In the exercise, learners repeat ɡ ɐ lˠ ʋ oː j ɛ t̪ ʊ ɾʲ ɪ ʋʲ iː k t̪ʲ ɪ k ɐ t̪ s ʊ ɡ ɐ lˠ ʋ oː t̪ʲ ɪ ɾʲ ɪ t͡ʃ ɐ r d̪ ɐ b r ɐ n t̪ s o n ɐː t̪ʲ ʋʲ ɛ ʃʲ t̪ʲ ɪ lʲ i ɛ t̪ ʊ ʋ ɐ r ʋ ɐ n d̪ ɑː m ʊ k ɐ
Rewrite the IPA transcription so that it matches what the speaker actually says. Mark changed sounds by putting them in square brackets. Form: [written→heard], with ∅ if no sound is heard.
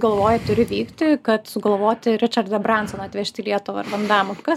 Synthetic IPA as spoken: ɡ ɐ lˠ ʋ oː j ɛ t̪ ʊ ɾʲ ɪ ʋʲ iː k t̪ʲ ɪ k ɐ t̪ s ʊ ɡ ɐ lˠ ʋ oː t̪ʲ ɪ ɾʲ ɪ t͡ʃ ɐ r d̪ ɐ b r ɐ n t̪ s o n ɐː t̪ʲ ʋʲ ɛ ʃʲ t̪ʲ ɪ lʲ i ɛ t̪ ʊ ʋ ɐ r ʋ ɐ n d̪ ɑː m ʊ k ɐ